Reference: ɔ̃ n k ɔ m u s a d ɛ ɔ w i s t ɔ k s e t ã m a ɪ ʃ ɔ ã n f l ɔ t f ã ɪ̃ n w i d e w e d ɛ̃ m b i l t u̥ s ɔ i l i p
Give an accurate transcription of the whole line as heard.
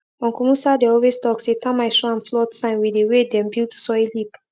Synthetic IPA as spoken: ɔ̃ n k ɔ m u s a d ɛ ɔ w e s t ɔ k s e t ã m a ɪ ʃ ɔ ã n f l ɔ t s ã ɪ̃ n w i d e w e d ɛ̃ m b i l t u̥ s ɔ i l i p